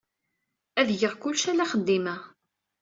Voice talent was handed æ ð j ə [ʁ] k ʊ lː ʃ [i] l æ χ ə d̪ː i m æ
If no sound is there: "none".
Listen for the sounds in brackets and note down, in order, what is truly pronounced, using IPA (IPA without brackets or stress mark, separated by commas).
ʁ, æ